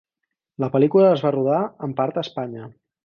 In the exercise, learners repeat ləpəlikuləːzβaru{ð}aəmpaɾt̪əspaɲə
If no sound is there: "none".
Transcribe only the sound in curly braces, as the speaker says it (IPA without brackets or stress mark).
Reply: ð